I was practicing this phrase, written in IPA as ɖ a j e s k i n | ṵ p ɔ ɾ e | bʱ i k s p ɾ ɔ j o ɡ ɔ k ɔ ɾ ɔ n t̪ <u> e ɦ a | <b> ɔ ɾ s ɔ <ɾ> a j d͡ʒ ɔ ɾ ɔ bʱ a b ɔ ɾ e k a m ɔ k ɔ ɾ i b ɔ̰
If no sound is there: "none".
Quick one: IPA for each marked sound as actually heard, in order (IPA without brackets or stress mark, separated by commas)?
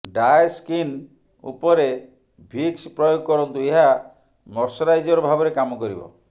u, m, ɾ